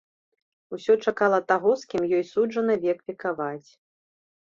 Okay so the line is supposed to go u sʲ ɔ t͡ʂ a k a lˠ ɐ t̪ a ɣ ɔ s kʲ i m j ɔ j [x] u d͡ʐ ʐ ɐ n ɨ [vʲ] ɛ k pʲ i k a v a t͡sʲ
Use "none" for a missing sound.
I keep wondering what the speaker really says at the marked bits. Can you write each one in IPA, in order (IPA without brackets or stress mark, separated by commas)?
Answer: s, vʲ